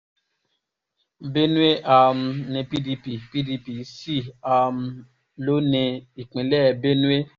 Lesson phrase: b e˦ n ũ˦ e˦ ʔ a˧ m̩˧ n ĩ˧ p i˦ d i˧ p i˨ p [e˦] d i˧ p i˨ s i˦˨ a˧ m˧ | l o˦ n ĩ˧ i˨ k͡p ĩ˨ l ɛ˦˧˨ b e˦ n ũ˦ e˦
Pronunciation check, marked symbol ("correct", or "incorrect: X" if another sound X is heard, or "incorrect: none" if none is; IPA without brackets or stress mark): incorrect: i˦